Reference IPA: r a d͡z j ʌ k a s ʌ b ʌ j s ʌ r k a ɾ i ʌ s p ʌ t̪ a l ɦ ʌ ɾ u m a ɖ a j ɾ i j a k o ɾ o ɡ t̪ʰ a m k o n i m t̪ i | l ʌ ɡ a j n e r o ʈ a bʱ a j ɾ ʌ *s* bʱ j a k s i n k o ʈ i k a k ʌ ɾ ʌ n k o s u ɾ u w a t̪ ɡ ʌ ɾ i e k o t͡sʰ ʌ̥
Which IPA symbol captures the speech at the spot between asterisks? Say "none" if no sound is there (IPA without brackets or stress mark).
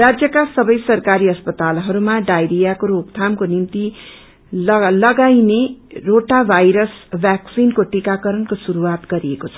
s